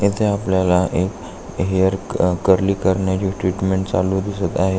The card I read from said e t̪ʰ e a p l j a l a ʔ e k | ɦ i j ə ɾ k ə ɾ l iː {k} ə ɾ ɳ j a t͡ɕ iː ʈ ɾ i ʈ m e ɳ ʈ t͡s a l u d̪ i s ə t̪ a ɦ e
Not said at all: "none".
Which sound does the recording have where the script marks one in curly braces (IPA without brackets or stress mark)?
k